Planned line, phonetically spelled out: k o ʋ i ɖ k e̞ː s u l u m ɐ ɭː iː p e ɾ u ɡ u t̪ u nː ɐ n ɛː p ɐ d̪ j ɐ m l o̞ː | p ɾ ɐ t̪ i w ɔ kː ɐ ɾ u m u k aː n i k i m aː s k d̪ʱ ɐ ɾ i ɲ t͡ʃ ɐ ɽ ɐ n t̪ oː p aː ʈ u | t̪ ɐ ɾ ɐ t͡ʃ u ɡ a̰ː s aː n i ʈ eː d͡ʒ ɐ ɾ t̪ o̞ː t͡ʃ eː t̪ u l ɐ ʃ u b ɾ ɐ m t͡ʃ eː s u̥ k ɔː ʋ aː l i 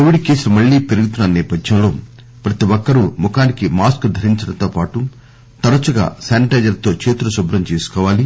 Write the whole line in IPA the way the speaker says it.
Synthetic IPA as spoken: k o ʋ i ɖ k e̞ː s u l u m ɐ ɭː iː p e ɾ u ɡ u t̪ u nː ɐ n ɛː p ɐ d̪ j ɐ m l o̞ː | p ɾ ɐ t̪ i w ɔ kː ɐ ɾ u m u k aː n i k i m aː s k d̪ʱ ɐ ɾ i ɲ t͡ʃ ɐ ɽ ɐ n t̪ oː p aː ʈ u | t̪ ɐ ɾ ɐ t͡ʃ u ɡ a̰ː s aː n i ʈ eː d͡ʒ ɐ ɾ t̪ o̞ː t͡ʃ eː t̪ u l ɐ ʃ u b ɾ ɐ m t͡ʃ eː s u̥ k ɔː ʋ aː l i

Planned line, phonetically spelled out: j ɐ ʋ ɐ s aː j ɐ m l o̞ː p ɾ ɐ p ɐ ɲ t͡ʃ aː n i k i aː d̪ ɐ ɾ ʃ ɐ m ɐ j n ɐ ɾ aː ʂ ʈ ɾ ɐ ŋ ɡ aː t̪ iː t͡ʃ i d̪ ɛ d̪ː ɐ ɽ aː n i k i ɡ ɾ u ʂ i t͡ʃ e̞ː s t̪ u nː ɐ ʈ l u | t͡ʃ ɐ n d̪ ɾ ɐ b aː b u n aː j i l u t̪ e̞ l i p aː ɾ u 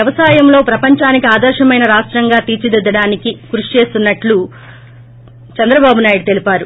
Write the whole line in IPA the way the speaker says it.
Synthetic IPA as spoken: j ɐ ʋ ɐ s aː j ɐ m l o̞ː p ɾ ɐ p ɐ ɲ t͡ʃ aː n i k i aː d̪ ɐ ɾ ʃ ɐ m ɐ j n ɐ ɾ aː ʂ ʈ ɾ ɐ ŋ ɡ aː t̪ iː t͡ʃ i d̪ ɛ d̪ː ɐ ɽ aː n i k i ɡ ɾ u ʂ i t͡ʃ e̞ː s t̪ u nː ɐ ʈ l u | t͡ʃ ɐ n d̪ ɾ ɐ b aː b u n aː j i ɽ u t̪ e̞ l i p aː ɾ u

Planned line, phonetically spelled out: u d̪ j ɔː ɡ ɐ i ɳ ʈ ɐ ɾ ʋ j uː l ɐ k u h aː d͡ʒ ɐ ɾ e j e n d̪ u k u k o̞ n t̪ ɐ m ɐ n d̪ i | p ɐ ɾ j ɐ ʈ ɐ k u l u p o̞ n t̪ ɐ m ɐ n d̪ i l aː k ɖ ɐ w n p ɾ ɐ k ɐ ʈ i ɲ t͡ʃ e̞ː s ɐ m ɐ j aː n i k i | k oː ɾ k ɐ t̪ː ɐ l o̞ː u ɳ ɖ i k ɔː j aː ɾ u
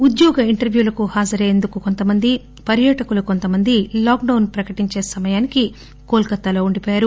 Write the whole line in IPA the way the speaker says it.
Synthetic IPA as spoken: u d̪ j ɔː ɡ ɐ i ɳ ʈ ɐ ɾ ʋ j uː l ɐ k u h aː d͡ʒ ɐ ɾ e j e n d̪ u k u k o̞ n t̪ ɐ m ɐ n d̪ i | p ɐ ɾ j ɐ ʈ ɐ k u l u k o̞ n t̪ ɐ m ɐ n d̪ i l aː k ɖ ɐ w n p ɾ ɐ k ɐ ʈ i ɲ t͡ʃ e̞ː s ɐ m ɐ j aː n i k i | k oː l k ɐ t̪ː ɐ l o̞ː u ɳ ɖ i p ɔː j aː ɾ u

